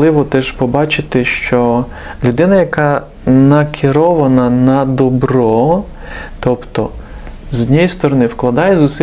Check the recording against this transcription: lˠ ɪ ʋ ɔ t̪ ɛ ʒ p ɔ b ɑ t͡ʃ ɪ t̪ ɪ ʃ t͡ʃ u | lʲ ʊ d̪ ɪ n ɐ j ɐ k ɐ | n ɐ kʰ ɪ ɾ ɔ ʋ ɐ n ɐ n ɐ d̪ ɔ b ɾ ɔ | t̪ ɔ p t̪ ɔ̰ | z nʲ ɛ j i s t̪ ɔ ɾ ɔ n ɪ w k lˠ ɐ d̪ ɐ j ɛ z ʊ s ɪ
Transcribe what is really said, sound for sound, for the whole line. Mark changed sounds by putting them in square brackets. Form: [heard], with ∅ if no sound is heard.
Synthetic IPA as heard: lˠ ɪ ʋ ɔ t̪ ɛ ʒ p ɔ b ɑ t͡ʃ ɪ t̪ ɪ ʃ t͡ʃ [ɔ] | lʲ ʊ d̪ ɪ n ɐ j ɐ k [ɑ] | n ɐ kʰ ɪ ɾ ɔ ʋ ɐ n ɐ n ɐ d̪ ɔ b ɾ ɔ | t̪ ɔ p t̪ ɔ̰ | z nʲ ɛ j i s t̪ ɔ ɾ ɔ n ɪ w k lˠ ɐ d̪ [ɑ] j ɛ z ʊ s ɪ